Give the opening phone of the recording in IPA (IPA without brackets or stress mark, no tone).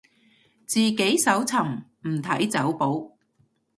t͡s